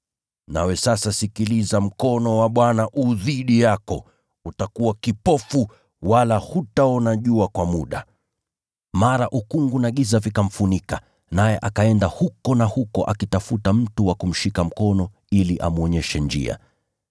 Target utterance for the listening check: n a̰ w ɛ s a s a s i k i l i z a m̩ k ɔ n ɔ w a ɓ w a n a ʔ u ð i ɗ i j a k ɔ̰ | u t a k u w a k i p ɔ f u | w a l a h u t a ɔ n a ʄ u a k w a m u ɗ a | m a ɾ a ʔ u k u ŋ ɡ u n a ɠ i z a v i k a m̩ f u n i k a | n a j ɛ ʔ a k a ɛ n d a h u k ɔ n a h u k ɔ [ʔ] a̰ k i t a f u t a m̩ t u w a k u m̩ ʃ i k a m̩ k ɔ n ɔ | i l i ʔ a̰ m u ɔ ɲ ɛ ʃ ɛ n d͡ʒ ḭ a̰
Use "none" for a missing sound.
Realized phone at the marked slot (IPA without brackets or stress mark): ʔ